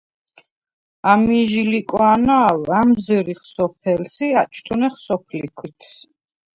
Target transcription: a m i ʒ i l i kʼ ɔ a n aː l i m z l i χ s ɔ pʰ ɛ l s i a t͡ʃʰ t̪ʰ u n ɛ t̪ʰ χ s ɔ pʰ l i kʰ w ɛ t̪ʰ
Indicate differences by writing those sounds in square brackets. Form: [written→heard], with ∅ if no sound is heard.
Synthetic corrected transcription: a m i ʒ i l i kʼ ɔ a n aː l [i→a] m z [l→ɾ] i χ s ɔ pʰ ɛ l s i a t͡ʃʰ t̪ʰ u n ɛ [t̪ʰ→∅] χ s ɔ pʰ l i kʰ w [ɛ→i] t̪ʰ